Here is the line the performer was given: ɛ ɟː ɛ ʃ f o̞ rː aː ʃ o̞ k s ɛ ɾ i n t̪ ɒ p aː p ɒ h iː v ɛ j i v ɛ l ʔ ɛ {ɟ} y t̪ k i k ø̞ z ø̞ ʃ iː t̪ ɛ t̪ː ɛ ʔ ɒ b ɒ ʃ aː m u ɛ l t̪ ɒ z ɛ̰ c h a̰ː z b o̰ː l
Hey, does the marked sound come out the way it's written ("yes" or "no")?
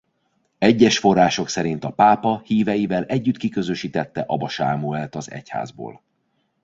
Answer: no